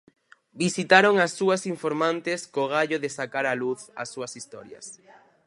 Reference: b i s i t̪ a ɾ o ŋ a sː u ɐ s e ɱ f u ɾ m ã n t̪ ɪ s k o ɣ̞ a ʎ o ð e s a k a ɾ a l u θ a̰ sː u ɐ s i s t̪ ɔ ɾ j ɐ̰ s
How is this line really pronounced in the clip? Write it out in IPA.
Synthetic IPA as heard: b i s i t̪ a ɾ o ŋ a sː u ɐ s i ɱ f o ɾ m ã n t̪ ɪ s k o ɣ̞ a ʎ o ð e s a k a ɾ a l u θ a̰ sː u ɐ s i s t̪ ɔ ɾ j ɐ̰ s